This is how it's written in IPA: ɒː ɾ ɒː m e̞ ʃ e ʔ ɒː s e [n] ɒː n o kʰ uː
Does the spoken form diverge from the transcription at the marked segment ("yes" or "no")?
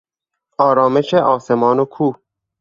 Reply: yes